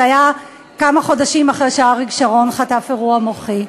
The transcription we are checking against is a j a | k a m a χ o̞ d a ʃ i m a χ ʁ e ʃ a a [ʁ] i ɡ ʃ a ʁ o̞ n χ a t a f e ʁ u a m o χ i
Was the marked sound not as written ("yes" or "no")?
no